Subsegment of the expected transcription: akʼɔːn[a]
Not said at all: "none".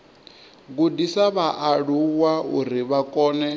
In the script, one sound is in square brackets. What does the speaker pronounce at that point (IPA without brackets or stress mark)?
ɛ